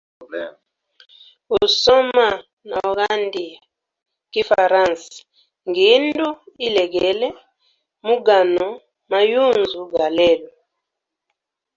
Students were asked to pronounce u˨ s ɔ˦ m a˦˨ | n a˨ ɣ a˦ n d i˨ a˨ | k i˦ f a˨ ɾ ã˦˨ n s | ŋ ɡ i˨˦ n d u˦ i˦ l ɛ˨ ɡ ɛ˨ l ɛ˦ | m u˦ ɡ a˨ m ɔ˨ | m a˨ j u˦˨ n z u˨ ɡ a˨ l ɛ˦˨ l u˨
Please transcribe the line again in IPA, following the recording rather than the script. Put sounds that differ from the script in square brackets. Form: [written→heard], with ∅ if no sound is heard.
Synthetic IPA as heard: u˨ s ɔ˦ m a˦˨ | n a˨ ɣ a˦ n d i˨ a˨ | k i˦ f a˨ ɾ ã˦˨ n s | ŋ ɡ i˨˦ n d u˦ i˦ l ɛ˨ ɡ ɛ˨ l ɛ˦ | m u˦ ɡ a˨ [m→n] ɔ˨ | m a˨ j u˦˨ n z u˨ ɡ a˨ l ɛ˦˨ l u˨